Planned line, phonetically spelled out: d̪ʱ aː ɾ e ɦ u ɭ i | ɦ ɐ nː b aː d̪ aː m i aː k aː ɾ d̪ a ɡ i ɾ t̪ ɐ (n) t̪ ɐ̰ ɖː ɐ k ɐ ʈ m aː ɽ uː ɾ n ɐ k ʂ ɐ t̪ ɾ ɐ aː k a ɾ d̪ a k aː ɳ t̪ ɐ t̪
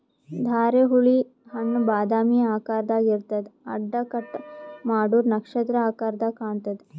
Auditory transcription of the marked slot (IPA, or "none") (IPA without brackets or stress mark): none